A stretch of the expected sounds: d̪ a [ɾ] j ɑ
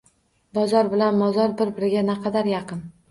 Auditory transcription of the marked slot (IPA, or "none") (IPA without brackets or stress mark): ɾ